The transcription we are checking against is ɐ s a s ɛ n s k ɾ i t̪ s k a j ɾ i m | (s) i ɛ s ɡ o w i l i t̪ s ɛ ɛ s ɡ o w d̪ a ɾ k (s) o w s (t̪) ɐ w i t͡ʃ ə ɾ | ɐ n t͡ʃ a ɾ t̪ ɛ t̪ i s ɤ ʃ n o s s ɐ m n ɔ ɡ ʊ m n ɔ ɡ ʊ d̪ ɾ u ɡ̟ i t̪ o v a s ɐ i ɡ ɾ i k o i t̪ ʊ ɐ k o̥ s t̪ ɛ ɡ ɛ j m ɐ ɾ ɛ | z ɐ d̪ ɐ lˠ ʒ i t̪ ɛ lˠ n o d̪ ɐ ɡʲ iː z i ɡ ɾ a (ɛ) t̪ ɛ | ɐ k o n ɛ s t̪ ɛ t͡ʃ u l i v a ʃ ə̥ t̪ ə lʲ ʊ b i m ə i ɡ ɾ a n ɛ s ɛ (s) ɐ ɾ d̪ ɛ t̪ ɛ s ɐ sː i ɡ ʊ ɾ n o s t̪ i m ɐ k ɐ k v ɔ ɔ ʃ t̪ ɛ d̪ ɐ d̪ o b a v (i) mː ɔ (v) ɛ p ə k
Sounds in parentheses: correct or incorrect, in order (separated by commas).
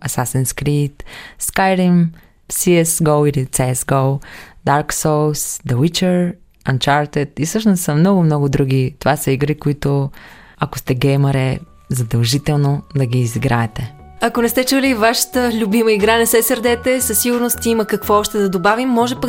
correct, correct, incorrect, correct, correct, correct, incorrect